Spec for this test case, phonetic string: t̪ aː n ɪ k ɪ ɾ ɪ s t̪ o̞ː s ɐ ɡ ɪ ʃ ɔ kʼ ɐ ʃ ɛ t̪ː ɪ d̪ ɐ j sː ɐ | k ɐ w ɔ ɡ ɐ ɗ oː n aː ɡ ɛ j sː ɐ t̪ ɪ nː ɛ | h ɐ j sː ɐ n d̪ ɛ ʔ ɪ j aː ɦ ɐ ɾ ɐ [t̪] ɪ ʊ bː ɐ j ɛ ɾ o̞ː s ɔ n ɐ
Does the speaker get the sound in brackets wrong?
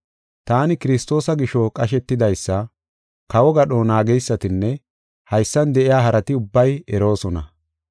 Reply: no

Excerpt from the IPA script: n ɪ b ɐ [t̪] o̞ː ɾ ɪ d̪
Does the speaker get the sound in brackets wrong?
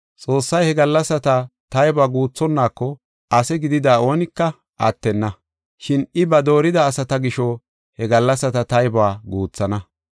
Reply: yes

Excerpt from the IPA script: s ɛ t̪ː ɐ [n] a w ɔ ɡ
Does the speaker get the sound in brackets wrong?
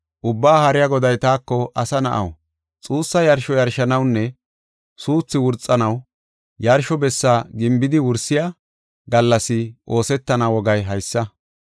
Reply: no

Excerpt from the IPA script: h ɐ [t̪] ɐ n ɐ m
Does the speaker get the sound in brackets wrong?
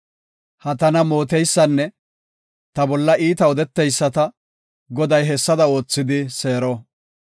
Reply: no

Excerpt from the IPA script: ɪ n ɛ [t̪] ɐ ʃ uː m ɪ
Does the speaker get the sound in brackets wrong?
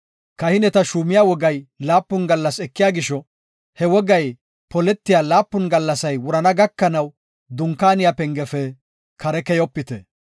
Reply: no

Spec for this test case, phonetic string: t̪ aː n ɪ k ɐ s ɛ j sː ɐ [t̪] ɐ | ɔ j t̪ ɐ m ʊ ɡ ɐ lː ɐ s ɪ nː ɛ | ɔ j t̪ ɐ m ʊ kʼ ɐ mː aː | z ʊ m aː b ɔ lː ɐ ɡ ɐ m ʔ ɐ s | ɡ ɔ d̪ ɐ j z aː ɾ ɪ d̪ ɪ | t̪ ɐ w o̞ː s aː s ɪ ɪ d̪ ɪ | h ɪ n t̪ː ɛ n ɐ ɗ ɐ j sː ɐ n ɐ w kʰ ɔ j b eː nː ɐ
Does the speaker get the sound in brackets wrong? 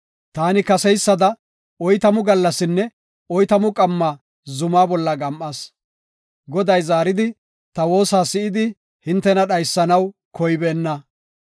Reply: yes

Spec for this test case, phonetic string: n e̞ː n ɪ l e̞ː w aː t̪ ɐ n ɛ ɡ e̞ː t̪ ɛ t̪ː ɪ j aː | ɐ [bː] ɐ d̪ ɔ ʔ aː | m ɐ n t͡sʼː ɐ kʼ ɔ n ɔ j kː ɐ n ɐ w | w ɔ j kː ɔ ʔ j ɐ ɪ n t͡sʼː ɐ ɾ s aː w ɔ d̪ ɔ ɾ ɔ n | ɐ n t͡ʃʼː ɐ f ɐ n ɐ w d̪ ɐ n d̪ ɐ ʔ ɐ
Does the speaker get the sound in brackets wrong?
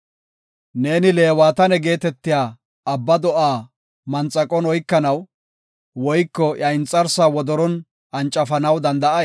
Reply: no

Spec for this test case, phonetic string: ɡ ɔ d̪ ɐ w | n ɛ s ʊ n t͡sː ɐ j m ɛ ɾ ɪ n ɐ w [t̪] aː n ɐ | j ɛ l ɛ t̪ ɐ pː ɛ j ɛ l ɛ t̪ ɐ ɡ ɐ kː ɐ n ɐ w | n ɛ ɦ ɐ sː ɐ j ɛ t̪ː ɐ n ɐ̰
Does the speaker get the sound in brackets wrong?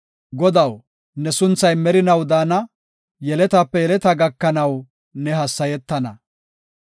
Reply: yes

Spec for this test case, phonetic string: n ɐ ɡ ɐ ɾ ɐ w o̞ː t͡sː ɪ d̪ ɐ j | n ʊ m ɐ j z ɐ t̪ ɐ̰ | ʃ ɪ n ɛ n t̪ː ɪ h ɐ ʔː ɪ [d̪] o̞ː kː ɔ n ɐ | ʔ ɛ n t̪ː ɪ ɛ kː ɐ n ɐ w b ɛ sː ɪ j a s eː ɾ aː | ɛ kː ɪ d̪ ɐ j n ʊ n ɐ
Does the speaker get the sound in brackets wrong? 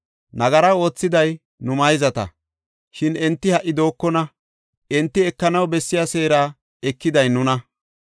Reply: no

